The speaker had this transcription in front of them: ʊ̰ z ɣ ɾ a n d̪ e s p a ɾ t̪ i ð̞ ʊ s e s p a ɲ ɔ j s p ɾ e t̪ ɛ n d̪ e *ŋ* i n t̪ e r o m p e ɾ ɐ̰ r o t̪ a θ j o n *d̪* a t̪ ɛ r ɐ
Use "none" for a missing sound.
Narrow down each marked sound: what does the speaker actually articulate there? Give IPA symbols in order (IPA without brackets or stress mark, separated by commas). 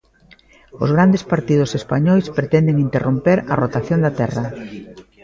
ŋ, d̪